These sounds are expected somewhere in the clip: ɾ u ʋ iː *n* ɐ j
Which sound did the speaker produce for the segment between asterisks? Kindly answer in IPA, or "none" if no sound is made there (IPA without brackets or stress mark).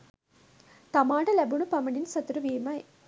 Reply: m